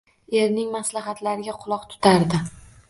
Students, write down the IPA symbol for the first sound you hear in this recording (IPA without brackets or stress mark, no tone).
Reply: e̞